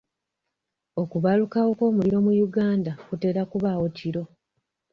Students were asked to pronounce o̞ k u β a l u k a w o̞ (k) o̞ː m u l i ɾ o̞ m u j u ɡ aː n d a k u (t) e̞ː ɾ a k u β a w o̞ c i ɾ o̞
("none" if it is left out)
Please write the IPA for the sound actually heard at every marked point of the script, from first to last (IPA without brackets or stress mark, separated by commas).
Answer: k, t